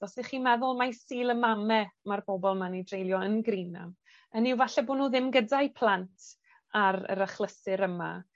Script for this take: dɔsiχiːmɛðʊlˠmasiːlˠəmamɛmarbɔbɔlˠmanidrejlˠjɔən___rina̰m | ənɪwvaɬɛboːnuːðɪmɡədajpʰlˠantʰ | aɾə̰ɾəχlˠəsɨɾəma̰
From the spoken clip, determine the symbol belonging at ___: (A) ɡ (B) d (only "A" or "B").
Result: A